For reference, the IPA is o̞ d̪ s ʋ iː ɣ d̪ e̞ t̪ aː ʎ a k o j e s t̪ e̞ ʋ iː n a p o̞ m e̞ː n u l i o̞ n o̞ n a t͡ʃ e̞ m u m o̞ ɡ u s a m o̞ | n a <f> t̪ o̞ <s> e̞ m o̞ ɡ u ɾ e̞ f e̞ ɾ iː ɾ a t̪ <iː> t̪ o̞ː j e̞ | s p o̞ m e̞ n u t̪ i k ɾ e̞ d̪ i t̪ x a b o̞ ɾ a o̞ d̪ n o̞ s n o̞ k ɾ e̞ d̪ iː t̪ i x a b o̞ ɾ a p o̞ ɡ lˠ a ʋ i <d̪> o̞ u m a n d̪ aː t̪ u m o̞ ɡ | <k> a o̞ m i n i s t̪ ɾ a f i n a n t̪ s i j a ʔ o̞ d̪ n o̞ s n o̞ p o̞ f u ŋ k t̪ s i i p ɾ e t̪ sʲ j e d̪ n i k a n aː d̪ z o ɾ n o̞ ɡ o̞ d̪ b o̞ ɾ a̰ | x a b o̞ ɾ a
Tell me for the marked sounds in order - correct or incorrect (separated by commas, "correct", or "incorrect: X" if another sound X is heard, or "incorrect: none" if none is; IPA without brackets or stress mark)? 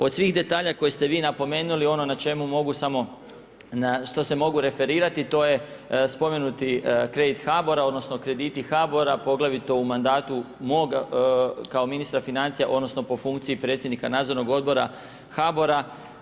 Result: incorrect: ʃ, correct, incorrect: i, incorrect: t̪, correct